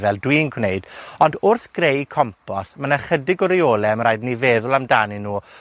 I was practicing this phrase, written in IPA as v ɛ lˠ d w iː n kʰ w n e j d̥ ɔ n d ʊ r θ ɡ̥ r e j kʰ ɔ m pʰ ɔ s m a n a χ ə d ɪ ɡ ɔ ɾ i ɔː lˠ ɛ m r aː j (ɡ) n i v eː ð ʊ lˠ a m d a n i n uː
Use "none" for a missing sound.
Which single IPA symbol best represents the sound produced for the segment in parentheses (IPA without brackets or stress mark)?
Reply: d